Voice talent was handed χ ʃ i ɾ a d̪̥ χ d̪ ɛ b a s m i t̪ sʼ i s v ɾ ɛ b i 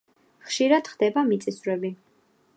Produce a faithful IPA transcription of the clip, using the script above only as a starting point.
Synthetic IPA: χ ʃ i ɾ a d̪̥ χ d̪ ɛ b a m i t̪ sʼ i s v ɾ ɛ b i